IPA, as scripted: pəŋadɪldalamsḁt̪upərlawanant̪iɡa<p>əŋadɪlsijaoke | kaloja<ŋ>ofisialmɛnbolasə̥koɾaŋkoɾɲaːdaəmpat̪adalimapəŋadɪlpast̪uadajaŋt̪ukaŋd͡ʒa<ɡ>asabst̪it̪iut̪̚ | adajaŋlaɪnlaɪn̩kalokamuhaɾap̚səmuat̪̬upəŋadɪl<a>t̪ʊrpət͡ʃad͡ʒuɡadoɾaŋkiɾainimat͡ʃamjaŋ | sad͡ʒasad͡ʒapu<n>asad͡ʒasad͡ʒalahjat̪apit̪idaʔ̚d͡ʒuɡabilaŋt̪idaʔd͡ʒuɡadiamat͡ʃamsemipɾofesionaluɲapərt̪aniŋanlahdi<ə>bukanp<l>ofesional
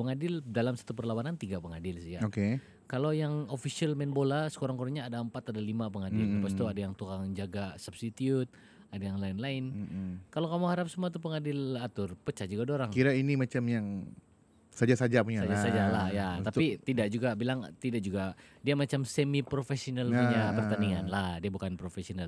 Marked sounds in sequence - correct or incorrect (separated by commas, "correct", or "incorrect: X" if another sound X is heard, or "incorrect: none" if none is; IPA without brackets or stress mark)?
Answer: correct, correct, correct, correct, incorrect: ɲ, incorrect: a, incorrect: ɾ